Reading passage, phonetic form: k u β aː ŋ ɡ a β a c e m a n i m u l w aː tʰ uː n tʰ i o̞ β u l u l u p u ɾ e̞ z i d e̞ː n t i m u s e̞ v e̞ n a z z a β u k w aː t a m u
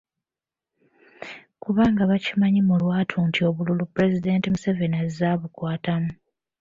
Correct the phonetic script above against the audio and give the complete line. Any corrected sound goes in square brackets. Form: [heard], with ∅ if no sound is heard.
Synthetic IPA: k u β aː ŋ ɡ a β a c [i] m a [ɲ] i m u l w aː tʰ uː n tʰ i o̞ β u l u l u p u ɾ e̞ z i d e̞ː n t i m u s e̞ v e̞ n a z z a β u k w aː t a m u